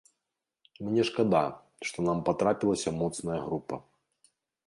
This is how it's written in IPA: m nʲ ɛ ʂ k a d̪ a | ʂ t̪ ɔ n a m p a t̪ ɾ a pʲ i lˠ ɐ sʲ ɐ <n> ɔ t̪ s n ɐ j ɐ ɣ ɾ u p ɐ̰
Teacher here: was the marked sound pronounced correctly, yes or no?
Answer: no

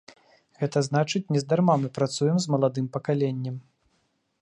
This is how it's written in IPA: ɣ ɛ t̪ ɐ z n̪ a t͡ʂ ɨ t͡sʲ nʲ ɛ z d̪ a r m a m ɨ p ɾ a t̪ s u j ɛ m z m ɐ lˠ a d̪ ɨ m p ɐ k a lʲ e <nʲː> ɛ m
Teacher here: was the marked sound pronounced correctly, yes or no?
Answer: yes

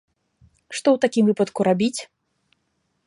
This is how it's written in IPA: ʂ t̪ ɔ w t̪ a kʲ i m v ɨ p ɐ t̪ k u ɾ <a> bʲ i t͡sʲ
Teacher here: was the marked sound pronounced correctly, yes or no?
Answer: yes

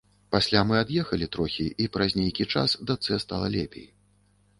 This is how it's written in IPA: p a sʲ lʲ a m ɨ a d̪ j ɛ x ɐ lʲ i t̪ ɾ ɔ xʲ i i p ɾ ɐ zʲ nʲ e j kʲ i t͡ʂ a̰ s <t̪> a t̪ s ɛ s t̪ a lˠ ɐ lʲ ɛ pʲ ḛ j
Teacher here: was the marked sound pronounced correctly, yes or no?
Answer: no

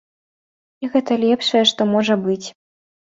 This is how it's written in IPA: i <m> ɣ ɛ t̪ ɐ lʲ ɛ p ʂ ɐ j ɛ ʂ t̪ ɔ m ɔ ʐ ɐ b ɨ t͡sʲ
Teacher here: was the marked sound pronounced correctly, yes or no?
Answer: no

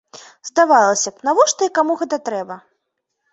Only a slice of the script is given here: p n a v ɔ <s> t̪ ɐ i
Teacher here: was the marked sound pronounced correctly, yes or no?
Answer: no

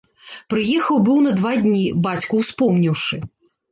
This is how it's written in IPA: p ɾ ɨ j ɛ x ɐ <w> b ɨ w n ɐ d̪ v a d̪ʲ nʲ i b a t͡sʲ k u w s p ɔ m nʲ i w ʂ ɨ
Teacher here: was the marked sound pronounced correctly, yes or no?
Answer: yes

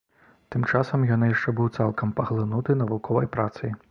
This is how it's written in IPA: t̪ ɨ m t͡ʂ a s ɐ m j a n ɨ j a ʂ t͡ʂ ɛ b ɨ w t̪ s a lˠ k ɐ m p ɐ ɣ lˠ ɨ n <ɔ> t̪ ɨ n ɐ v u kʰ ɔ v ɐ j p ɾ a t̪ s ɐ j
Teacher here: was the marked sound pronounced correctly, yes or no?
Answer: no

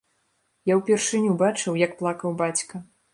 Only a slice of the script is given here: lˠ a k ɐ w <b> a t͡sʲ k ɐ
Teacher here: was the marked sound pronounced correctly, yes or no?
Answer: yes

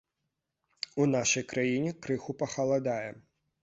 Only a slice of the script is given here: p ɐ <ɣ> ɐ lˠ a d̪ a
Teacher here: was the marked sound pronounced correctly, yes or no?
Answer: no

